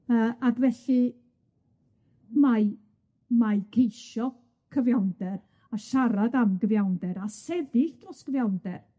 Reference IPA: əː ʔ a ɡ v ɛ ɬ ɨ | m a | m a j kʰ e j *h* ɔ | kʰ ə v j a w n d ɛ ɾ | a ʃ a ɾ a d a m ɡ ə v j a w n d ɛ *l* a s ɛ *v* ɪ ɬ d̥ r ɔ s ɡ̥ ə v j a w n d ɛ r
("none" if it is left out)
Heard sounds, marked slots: ʃ, ɾ, ð

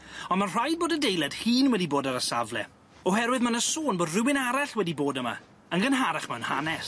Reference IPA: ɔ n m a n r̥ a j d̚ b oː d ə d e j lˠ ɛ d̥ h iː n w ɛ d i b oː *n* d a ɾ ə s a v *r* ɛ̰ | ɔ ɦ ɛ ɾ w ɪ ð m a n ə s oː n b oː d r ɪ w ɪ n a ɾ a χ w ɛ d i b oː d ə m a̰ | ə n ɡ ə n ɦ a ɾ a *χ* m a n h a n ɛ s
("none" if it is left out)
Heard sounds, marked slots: none, l, χ

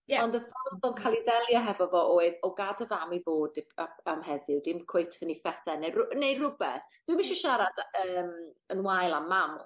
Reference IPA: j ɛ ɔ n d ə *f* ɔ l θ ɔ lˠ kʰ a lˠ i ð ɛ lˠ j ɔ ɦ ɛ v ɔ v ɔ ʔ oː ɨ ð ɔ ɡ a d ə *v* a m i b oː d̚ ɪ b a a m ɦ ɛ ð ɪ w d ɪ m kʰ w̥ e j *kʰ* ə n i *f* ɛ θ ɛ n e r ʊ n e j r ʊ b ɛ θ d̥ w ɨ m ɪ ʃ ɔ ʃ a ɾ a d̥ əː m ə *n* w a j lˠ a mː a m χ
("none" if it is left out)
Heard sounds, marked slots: f, v, tʰ, f, n

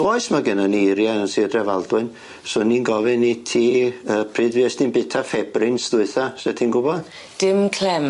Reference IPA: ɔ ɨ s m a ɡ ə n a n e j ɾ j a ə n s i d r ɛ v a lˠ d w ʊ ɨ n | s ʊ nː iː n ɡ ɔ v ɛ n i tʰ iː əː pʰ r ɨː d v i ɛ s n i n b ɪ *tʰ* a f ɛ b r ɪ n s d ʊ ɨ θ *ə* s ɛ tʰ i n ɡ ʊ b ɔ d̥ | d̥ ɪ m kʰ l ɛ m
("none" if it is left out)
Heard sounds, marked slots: tʰ, a

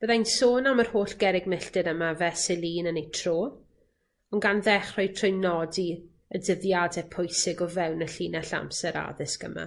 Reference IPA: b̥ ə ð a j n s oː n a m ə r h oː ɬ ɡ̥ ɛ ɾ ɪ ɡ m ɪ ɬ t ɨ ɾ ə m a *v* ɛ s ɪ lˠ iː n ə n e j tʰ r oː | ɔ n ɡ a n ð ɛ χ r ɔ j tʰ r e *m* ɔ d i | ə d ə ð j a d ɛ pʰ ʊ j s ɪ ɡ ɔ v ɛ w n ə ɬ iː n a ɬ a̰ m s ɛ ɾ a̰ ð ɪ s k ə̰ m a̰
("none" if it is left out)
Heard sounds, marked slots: v, n

